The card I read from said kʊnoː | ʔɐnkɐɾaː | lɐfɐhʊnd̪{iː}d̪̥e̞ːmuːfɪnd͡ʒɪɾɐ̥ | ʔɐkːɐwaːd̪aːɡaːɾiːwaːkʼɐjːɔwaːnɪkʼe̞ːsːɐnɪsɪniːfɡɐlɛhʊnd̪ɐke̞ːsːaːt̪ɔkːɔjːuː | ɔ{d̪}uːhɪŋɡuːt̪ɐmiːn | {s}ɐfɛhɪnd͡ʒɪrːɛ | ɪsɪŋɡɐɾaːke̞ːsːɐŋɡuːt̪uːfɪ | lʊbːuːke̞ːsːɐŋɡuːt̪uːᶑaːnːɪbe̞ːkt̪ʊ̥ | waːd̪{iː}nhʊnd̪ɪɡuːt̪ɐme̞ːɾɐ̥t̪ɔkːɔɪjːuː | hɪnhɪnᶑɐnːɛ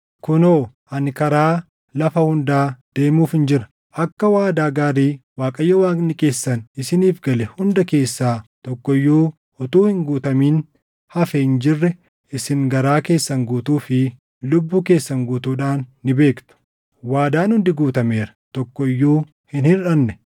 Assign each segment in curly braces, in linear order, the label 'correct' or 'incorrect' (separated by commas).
incorrect, incorrect, incorrect, incorrect